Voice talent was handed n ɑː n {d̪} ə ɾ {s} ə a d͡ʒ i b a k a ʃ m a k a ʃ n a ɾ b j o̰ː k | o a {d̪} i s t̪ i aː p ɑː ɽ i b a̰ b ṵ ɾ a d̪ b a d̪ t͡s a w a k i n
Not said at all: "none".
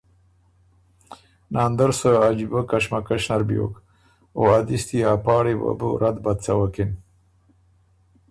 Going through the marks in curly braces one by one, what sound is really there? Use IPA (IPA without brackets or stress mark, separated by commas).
d̪, s, d̪